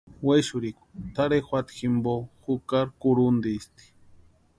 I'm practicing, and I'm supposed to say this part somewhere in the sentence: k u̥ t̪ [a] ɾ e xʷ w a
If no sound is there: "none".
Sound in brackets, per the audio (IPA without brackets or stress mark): a